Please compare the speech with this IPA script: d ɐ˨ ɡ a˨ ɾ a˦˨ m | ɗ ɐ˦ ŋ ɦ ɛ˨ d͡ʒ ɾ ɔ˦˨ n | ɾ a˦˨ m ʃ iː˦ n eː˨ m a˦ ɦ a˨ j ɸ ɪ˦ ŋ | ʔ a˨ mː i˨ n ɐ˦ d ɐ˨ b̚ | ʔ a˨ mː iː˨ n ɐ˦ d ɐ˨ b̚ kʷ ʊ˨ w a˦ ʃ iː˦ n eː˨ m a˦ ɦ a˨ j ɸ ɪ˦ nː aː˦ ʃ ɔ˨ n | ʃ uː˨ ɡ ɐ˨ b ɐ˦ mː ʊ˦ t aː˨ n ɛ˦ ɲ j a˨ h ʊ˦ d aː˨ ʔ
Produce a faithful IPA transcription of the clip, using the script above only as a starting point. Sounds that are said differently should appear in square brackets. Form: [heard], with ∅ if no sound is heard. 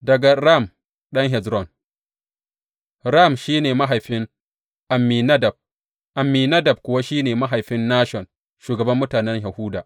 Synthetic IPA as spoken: d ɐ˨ ɡ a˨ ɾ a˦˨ m | ɗ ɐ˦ ŋ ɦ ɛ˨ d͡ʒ ɾ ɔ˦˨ n | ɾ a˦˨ m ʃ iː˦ n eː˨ m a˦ ɦ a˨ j ɸ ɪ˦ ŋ | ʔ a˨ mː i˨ n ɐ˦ d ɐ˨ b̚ | ʔ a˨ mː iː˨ n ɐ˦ d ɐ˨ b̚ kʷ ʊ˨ w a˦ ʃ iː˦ n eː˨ m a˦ ɦ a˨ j ɸ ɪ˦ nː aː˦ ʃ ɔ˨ n | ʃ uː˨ ɡ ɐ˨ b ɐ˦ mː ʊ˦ t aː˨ n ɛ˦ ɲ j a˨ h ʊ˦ d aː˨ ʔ